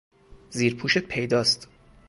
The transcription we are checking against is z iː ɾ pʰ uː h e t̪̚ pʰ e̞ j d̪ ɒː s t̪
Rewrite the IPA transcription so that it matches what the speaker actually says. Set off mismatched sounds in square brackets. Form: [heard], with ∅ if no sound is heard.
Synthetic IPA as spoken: z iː ɾ pʰ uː [ʃ] e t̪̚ pʰ e̞ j d̪ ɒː s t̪